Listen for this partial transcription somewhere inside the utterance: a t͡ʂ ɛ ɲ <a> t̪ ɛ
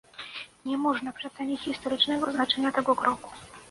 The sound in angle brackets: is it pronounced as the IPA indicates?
yes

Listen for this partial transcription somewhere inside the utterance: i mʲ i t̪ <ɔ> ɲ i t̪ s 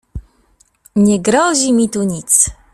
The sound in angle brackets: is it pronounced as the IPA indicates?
no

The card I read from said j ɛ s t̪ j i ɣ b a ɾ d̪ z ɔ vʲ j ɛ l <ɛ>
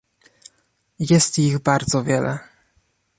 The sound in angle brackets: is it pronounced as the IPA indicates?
yes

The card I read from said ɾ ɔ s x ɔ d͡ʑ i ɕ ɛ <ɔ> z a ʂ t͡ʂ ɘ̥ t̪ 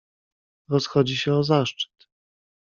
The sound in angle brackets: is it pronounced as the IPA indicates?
yes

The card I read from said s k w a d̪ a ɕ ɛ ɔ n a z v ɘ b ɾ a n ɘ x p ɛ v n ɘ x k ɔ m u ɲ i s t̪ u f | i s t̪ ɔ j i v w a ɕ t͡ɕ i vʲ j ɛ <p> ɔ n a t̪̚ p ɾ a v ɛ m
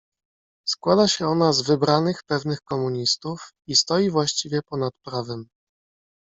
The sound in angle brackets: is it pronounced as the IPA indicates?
yes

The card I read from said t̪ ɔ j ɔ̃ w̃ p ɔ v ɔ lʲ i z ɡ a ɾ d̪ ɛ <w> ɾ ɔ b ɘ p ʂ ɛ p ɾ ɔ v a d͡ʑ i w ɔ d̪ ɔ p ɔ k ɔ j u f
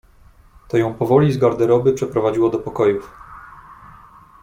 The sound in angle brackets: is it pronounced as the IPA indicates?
no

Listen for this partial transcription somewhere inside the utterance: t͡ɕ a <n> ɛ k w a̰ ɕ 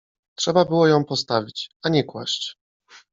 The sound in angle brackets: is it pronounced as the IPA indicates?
no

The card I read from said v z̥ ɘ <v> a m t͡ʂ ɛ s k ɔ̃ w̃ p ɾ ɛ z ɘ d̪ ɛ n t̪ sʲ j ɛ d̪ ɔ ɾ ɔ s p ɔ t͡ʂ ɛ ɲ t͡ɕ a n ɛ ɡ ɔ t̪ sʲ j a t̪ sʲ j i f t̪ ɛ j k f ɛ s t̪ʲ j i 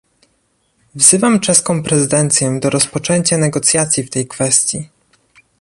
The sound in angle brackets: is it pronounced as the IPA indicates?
yes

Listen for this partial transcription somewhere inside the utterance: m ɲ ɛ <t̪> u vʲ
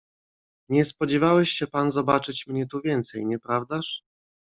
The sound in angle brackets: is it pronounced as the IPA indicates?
yes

